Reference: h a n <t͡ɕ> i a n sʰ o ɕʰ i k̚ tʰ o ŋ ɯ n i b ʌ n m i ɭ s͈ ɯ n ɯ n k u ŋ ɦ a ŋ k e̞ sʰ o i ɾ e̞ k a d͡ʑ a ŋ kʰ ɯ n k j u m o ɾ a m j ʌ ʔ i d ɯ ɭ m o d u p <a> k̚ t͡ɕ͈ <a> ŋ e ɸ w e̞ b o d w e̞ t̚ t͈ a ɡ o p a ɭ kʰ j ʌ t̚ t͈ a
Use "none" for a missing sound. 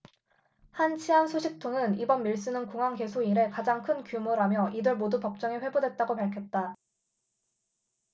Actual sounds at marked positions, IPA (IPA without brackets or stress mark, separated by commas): t͡ɕʰ, ʌ, ʌ